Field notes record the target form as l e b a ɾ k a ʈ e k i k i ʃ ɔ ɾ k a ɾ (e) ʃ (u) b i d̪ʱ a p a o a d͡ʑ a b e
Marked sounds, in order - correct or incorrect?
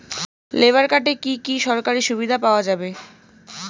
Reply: incorrect, correct

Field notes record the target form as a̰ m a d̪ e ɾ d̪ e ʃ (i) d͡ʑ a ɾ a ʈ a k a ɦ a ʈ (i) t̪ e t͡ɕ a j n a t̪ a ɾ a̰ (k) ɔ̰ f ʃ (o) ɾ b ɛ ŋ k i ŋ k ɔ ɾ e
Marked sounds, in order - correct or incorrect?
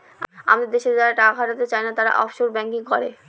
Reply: incorrect, incorrect, incorrect, correct

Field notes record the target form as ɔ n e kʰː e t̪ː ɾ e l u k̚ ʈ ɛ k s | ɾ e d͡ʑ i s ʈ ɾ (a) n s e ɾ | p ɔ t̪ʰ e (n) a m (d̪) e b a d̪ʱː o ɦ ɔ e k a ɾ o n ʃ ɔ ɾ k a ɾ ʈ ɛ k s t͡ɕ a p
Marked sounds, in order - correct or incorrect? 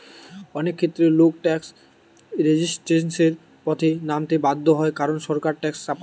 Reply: incorrect, correct, incorrect

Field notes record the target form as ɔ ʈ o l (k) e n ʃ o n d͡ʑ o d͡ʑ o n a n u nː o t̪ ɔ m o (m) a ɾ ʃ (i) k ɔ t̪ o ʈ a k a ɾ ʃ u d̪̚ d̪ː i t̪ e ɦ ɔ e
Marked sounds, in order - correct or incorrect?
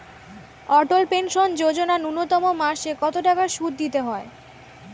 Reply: incorrect, correct, incorrect

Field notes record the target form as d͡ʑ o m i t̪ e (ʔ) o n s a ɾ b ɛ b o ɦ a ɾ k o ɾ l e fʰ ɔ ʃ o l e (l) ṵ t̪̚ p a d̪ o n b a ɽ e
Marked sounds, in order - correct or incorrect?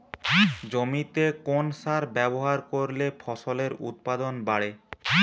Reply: incorrect, incorrect

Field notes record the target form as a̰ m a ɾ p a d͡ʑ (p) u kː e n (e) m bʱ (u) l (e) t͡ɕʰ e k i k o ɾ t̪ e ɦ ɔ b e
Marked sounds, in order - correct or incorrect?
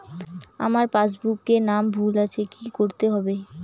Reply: incorrect, incorrect, correct, incorrect

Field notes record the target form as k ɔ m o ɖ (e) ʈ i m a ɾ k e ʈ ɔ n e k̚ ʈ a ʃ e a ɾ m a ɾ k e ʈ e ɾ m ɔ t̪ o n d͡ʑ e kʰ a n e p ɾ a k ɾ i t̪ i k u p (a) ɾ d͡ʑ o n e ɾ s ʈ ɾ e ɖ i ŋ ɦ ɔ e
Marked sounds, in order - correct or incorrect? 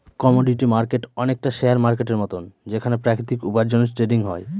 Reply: incorrect, correct

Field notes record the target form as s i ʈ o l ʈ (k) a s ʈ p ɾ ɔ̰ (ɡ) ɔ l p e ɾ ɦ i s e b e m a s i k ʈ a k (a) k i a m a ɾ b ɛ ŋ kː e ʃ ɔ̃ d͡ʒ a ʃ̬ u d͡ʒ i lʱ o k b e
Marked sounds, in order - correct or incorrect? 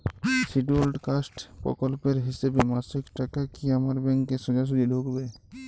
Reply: correct, incorrect, correct

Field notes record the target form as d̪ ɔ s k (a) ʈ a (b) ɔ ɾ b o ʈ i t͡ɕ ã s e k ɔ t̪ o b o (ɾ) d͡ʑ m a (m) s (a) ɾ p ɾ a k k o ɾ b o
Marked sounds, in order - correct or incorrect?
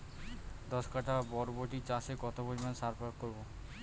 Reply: correct, correct, incorrect, incorrect, correct

